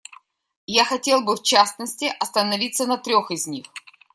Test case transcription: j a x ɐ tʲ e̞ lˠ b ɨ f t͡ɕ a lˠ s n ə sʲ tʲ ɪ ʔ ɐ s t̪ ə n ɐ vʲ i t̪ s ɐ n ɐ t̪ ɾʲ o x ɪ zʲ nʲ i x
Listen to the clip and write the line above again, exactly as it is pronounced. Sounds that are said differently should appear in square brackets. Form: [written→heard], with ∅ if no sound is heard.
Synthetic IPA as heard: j a x ɐ tʲ e̞ lˠ b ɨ f t͡ɕ a [lˠ→∅] s n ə sʲ tʲ ɪ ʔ ɐ s t̪ ə n ɐ vʲ i t̪ s [ɐ→ə] n ɐ t̪ ɾʲ o x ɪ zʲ nʲ i x